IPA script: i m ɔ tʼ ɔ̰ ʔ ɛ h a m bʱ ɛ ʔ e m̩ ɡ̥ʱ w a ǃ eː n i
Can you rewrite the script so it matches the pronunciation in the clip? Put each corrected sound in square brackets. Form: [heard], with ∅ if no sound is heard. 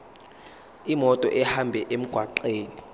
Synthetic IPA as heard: i m ɔ tʼ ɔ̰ ʔ ɛ h a m bʱ ɛ ʔ e m̩ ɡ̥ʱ w a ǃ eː n i